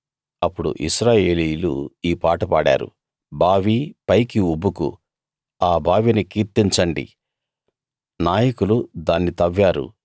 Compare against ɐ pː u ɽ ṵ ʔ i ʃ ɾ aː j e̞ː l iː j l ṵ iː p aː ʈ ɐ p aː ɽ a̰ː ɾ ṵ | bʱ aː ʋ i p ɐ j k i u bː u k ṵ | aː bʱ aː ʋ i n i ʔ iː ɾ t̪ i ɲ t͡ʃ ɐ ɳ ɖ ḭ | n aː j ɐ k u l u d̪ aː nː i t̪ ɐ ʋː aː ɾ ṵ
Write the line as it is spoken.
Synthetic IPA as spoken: ɐ pː u ɽ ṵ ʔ i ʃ ɾ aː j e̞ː l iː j l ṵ iː p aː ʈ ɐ p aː ɽ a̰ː ɾ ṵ | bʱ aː ʋ i p ɐ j k i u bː u k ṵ | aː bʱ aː ʋ i n i k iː ɾ t̪ i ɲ t͡ʃ ɐ ɳ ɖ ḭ | n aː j ɐ k u l u d̪ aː nː i t̪ ɐ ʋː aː ɾ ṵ

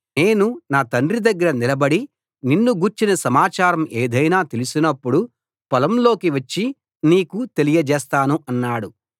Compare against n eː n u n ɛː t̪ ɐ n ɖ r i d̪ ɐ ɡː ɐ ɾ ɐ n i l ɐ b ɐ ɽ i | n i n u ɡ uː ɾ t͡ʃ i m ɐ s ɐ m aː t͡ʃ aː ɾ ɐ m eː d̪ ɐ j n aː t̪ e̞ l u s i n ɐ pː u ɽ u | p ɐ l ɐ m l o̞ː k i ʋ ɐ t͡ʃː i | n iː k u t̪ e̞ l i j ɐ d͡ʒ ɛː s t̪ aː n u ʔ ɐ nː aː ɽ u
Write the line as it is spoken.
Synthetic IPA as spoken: n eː n u n aː t̪ ɐ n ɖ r i d̪ ɐ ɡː ɐ ɾ ɐ n i l ɐ b ɐ ɽ i | n i nː u ɡ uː ɾ t͡ʃ i n ɐ s ɐ m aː t͡ʃ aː ɾ ɐ m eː d̪ ɐ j n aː t̪ e̞ l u s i n ɐ pː u ɽ u | p ɐ l ɐ m l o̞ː k i ʋ ɐ t͡ʃː i | n iː k u t̪ e̞ l i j ɐ d͡ʒ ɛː s t̪ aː n u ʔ ɐ nː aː ɽ u

